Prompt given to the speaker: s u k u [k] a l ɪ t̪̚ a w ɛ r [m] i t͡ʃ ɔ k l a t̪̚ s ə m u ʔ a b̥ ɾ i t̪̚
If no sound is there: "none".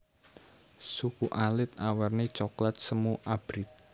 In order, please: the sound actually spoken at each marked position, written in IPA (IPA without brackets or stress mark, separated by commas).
ʔ, n